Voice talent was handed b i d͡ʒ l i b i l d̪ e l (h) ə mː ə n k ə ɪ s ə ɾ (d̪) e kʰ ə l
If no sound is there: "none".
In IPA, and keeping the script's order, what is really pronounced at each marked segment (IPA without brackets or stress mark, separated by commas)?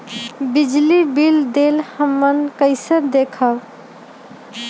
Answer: h, d̪